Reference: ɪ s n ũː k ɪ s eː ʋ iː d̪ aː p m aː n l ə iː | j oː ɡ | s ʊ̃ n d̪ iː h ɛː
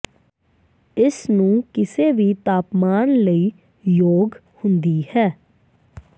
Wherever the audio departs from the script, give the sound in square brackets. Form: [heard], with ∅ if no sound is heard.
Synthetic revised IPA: ɪ s n ũː k ɪ s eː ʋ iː [t̪] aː p m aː n l ə iː | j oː ɡ | [h] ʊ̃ n d̪ iː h ɛː